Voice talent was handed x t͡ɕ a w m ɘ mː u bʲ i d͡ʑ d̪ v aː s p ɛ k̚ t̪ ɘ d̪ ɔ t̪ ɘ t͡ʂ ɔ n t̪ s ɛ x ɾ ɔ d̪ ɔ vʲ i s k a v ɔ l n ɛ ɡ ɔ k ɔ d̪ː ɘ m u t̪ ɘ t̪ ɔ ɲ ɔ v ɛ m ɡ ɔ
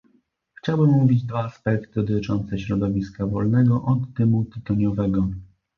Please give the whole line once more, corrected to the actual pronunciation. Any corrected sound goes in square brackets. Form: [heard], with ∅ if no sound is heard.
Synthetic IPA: x t͡ɕ a w [b] ɘ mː u [vʲ] i d͡ʑ d̪ v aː s p ɛ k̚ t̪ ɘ d̪ ɔ t̪ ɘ t͡ʂ ɔ n t̪ s ɛ [ɕ] ɾ ɔ d̪ ɔ vʲ i s k a v ɔ l n ɛ ɡ ɔ [ʔ] ɔ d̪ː ɘ m u t̪ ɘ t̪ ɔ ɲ ɔ v ɛ [∅] ɡ ɔ